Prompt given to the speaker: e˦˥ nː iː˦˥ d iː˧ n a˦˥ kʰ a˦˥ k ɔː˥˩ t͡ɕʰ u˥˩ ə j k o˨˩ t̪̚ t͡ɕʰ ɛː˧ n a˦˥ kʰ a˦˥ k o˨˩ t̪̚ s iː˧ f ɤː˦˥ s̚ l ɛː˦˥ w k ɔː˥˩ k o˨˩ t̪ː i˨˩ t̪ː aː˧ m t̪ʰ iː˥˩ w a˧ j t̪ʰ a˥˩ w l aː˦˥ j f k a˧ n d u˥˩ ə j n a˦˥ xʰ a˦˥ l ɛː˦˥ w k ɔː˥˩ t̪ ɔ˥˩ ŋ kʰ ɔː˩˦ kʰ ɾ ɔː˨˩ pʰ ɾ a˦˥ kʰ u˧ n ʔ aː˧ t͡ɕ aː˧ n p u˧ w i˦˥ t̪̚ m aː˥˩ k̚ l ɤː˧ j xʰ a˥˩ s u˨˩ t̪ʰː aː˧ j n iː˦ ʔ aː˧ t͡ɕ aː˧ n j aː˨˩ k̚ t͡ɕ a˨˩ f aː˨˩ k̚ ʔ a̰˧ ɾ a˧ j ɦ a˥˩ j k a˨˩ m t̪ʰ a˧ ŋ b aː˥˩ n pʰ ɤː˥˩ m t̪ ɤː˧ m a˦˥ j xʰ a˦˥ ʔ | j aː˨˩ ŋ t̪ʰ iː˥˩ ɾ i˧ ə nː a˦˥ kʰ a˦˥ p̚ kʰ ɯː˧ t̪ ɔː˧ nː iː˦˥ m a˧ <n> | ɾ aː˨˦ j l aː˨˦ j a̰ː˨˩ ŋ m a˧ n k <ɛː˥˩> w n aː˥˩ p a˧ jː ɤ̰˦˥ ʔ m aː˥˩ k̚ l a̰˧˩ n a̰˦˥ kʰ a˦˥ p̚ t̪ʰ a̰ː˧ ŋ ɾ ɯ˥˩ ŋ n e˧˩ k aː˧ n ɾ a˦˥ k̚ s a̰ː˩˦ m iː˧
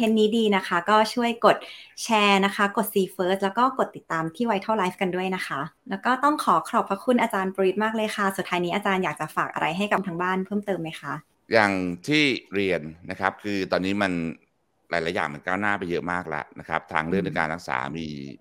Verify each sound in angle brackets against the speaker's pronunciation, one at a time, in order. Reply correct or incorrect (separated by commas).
correct, incorrect